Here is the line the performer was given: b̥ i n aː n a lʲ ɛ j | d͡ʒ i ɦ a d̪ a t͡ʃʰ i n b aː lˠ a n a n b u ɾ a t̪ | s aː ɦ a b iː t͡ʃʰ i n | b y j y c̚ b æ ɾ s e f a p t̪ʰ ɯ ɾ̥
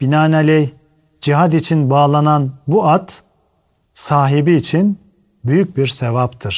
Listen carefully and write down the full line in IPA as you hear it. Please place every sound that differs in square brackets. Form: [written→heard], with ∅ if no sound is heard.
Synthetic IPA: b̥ i n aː n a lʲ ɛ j | d͡ʒ i ɦ a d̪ [a→i] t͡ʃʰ i n b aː lˠ a n a n b u [ɾ→∅] a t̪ | s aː ɦ [a→i] b iː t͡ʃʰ i n | b y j y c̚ b [æ→i] ɾ s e [f→v] a p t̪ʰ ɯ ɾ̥